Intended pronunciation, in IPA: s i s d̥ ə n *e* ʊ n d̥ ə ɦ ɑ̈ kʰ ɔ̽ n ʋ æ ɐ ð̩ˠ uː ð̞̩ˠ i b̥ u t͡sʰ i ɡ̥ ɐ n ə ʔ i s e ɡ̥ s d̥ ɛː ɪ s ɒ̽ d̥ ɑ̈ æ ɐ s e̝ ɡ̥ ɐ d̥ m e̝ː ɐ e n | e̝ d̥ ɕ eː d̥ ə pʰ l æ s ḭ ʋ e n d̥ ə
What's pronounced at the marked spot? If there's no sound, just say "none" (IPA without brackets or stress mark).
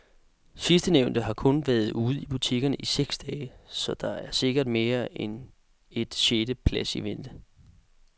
e